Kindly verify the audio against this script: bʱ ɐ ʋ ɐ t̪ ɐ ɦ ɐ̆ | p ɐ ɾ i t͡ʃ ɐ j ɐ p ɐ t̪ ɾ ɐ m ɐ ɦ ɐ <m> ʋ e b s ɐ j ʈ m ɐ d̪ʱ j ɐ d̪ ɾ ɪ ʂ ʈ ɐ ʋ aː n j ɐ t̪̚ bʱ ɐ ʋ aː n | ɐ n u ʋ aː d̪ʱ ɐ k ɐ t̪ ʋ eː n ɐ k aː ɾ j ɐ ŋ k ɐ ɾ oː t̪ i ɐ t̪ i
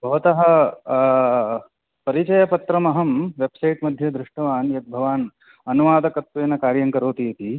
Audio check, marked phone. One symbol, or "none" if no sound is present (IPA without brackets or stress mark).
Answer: m